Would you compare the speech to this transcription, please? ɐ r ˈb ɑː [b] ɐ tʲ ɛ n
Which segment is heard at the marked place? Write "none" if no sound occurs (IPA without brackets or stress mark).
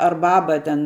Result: b